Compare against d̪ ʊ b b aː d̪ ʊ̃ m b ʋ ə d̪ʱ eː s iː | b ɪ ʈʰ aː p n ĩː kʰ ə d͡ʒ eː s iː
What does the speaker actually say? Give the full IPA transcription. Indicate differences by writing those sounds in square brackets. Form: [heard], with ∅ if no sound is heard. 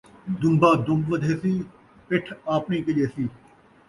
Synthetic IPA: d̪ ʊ [m] b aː d̪ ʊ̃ m b ʋ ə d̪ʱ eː s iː | [p] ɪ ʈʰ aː p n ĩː [k] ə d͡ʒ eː s iː